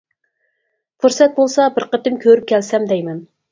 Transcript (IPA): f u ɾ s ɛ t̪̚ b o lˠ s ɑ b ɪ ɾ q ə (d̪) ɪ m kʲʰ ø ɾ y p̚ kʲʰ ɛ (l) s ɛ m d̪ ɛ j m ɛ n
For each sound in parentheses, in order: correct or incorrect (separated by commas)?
incorrect, correct